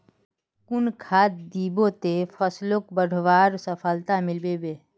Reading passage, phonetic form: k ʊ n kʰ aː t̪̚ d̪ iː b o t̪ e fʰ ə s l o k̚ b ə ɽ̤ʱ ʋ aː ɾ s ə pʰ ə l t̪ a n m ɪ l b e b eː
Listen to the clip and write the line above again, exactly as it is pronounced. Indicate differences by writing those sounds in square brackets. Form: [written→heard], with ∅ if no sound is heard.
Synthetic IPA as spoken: k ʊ n kʰ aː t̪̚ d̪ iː b o t̪ e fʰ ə s l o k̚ b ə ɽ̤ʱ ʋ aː ɾ s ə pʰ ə l t̪ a [n→∅] m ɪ l b e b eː